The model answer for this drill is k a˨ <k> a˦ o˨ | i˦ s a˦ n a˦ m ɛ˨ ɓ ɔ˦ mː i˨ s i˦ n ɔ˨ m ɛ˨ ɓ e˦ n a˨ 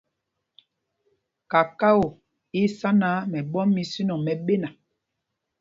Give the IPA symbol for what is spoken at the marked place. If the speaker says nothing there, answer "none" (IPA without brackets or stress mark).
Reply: k